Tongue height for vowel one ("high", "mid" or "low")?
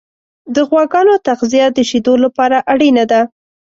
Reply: mid